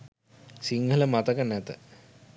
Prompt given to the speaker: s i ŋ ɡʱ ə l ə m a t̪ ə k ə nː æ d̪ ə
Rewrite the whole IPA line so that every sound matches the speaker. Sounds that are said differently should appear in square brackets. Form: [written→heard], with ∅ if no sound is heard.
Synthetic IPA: s i ŋ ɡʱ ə l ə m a t̪ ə k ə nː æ [d̪→t̪] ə